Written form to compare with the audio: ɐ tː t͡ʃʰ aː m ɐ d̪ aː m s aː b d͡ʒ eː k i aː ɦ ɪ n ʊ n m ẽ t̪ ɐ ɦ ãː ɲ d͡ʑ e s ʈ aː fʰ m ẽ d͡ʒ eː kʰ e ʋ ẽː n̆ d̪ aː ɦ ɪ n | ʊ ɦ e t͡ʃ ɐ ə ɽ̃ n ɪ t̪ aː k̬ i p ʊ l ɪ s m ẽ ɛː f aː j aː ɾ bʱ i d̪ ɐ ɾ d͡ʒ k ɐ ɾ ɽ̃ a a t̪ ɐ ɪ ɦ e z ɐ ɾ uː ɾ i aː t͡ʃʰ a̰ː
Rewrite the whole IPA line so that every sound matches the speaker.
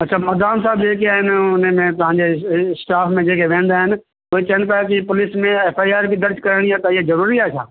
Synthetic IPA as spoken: ɐ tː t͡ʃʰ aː m ɐ d̪ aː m s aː b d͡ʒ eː k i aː ɦ ɪ n ʊ n m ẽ t̪ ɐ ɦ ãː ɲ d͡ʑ e s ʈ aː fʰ m ẽ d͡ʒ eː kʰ e ʋ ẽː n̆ d̪ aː ɦ ɪ n | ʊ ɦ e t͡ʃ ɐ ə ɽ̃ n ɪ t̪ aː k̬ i p ʊ l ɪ s m ẽ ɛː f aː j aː ɾ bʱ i d̪ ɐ ɾ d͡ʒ k ɐ ɾ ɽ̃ i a t̪ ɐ ɪ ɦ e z ɐ ɾ uː ɾ i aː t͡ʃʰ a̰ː